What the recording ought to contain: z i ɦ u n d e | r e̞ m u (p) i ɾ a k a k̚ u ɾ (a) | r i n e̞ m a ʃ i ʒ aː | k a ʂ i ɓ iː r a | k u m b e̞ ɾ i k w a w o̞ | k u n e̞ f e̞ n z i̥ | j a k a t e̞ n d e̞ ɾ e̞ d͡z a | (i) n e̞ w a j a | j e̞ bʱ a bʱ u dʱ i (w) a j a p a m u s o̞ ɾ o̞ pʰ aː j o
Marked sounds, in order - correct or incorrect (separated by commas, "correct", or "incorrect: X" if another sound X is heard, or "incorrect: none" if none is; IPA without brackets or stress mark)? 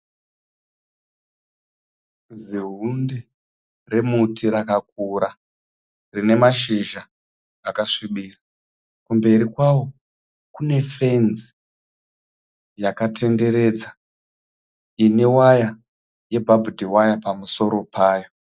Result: incorrect: t, correct, correct, correct